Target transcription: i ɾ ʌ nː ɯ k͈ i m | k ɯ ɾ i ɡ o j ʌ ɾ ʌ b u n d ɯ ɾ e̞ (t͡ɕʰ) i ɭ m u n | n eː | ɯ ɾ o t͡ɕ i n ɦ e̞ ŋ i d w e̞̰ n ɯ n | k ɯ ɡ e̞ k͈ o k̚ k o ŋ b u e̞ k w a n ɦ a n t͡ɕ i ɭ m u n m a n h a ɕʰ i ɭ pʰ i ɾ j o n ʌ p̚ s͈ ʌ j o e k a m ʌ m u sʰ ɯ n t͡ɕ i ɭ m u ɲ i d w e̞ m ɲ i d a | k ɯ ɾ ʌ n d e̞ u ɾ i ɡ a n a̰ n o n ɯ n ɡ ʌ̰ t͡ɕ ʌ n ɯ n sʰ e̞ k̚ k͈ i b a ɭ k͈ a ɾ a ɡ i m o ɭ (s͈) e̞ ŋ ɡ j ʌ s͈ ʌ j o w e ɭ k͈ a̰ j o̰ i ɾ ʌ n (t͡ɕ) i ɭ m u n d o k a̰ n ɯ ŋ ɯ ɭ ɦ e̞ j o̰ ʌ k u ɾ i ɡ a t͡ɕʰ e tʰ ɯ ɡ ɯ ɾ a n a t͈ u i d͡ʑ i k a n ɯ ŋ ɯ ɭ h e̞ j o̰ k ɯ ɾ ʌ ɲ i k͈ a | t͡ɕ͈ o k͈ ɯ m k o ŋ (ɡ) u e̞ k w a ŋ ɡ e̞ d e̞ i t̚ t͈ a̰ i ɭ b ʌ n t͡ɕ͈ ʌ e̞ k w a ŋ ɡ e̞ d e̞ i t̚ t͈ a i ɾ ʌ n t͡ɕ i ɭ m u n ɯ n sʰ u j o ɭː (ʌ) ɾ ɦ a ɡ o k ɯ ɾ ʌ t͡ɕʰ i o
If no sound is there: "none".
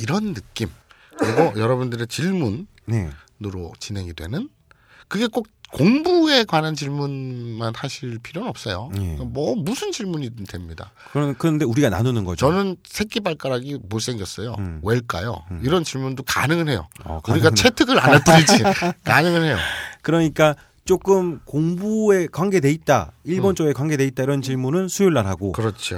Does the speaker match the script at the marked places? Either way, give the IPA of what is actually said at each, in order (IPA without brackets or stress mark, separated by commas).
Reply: t͡ɕ, s͈, t͡ɕ, b, a